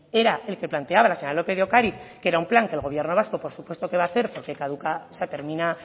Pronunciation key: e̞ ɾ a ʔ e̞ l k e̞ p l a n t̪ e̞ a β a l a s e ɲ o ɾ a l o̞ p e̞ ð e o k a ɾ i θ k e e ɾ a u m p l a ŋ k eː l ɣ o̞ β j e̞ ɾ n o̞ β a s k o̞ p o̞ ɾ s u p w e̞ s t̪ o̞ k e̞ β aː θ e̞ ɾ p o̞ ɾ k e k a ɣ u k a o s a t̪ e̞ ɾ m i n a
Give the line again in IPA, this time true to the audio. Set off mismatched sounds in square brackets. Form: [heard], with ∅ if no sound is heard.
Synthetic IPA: e̞ ɾ a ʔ e̞ l k e̞ p l a n t̪ e̞ a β a l a s e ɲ o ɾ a l o̞ p e̞ ð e o k a ɾ i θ k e e ɾ a u m p l a ŋ k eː l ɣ o̞ β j e̞ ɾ n o̞ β a s k o̞ p o̞ ɾ s u p w e̞ s t̪ o̞ k e̞ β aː θ e̞ ɾ p o̞ ɾ k e k a [ð] u k a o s a t̪ e̞ ɾ m i n a